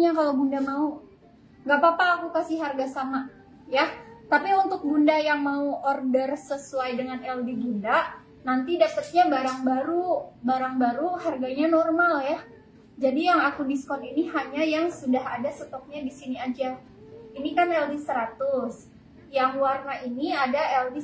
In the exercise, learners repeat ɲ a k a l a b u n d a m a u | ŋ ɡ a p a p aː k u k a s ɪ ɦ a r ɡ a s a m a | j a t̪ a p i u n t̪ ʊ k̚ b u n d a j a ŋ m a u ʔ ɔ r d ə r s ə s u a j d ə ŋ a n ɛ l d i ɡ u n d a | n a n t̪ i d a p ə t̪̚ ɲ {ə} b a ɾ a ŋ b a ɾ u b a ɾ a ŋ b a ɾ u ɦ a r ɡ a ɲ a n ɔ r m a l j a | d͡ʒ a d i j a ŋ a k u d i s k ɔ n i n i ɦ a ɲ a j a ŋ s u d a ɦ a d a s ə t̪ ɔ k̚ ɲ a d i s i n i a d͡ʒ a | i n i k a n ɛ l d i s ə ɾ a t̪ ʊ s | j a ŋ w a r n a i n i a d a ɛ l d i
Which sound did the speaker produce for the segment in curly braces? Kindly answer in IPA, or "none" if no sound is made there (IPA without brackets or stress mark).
a